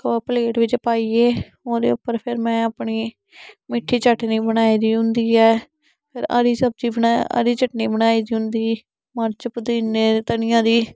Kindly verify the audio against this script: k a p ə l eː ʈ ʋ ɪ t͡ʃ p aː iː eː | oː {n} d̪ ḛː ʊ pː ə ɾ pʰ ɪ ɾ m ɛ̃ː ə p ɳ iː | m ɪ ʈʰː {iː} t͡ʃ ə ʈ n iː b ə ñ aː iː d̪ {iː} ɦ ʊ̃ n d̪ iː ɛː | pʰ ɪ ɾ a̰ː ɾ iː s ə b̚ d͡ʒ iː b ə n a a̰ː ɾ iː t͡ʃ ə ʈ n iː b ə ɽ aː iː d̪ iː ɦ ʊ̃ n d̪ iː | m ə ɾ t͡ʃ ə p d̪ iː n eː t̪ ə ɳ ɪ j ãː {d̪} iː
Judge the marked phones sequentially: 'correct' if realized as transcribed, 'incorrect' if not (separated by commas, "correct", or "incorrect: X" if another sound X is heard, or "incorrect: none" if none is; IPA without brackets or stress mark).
incorrect: none, correct, correct, correct